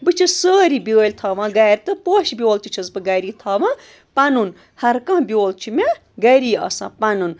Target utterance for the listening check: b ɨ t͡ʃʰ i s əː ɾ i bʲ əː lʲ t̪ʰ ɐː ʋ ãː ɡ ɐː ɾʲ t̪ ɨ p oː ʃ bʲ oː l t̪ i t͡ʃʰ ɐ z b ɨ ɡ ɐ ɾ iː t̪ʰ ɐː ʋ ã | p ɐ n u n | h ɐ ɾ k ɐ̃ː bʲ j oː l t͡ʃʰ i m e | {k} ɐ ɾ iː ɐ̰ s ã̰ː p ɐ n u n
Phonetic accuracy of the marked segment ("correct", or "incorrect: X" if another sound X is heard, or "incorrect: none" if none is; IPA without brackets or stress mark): incorrect: ɡ